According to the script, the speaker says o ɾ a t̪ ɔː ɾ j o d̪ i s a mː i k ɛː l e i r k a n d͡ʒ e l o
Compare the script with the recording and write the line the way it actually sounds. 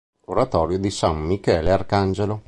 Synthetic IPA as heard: o ɾ a t̪ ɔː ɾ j o d̪ i s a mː i k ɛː l e a r k a n d͡ʒ e l o